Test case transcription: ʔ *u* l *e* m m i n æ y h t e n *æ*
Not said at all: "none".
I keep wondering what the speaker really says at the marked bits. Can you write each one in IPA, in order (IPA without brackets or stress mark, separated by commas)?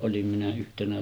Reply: o, i, æ